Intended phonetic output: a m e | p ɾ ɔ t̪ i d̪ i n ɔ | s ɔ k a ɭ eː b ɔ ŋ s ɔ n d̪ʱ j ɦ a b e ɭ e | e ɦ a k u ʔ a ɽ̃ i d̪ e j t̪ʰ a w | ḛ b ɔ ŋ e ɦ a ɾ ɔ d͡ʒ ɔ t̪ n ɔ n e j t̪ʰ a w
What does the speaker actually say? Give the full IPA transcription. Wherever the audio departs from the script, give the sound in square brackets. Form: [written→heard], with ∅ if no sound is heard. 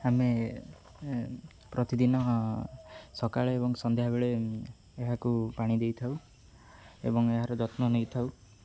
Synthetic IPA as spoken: a m e | p ɾ ɔ t̪ i d̪ i n ɔ | s ɔ k a ɭ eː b ɔ ŋ s ɔ n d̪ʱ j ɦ a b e ɭ e | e ɦ a k u [ʔ→p] a ɽ̃ i d̪ e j t̪ʰ a w | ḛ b ɔ ŋ e ɦ a ɾ ɔ d͡ʒ ɔ t̪ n ɔ n e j t̪ʰ a w

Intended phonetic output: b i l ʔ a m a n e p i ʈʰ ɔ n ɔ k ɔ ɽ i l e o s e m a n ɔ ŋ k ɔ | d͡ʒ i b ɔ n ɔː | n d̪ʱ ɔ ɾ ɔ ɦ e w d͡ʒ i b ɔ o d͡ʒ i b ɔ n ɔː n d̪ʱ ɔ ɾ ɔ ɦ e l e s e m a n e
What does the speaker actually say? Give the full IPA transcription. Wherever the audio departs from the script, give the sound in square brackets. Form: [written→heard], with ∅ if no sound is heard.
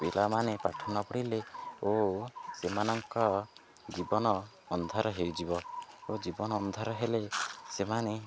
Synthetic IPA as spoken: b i l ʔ a m a n e p [i→a] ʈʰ ɔ n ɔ [k→p] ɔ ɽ i l e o s e m a n ɔ ŋ k ɔ | d͡ʒ i b ɔ n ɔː | n d̪ʱ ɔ ɾ ɔ ɦ e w d͡ʒ i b ɔ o d͡ʒ i b ɔ n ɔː n d̪ʱ ɔ ɾ ɔ ɦ e l e s e m a n e

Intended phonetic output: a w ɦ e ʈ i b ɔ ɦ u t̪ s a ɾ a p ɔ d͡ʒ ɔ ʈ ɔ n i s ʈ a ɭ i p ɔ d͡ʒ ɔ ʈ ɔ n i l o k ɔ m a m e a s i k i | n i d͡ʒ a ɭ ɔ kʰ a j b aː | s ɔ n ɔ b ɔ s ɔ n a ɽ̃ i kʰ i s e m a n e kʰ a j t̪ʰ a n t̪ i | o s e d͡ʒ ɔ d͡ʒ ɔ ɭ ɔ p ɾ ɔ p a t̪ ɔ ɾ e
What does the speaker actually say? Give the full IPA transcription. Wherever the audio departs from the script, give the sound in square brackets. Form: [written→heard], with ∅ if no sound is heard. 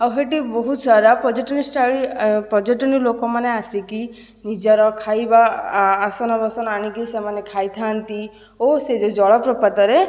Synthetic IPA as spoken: a w ɦ e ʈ i b ɔ ɦ u t̪ s a ɾ a p ɔ d͡ʒ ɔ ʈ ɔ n i s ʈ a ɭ i p ɔ d͡ʒ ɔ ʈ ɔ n i l o k ɔ m a [m→n] e a s i k i | n i d͡ʒ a [ɭ→ɾ] ɔ kʰ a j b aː | s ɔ n ɔ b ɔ s ɔ n a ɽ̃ i [kʰ→k] i s e m a n e kʰ a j t̪ʰ a n t̪ i | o s e d͡ʒ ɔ d͡ʒ ɔ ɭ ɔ p ɾ ɔ p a t̪ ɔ ɾ e

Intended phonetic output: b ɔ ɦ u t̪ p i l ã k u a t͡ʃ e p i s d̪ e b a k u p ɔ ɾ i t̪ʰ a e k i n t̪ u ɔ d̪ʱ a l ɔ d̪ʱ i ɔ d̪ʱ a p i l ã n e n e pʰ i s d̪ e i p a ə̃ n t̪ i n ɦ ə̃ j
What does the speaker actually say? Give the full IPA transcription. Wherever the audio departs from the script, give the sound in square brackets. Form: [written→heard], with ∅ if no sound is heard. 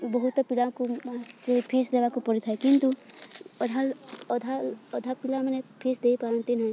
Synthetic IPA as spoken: b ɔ ɦ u t̪ p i l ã k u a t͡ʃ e [p→pʰ] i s d̪ e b a k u p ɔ ɾ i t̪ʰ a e k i n t̪ u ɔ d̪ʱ a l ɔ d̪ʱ [i→a] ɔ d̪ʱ a p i l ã [n→m] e n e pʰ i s d̪ e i p a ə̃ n t̪ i n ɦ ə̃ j

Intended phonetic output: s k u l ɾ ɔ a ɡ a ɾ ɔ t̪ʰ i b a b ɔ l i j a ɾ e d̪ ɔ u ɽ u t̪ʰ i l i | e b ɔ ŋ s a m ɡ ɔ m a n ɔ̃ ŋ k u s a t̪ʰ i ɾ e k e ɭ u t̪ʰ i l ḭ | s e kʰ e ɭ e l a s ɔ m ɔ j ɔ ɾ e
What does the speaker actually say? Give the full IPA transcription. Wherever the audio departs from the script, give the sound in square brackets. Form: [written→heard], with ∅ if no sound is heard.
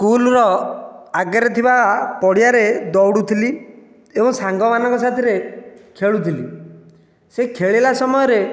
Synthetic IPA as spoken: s k u l ɾ ɔ a ɡ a ɾ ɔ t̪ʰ i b a [b→p] ɔ [l→ɽ] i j a ɾ e d̪ ɔ [u→w] ɽ u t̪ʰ i l i | e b ɔ ŋ s a [m→ŋ] ɡ ɔ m a n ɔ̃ ŋ k [u→ɔ] s a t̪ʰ i ɾ e [k→kʰ] e ɭ u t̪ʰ i l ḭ | s e kʰ e ɭ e l a s ɔ m ɔ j ɔ ɾ e

